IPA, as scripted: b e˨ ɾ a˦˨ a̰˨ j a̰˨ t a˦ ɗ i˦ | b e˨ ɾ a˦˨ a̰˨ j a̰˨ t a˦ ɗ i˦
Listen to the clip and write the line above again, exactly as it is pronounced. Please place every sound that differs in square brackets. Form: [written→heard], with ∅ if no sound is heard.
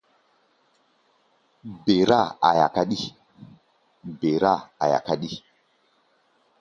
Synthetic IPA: b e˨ ɾ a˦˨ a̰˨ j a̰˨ [t→k] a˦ ɗ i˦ | b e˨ ɾ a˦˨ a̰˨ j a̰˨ [t→k] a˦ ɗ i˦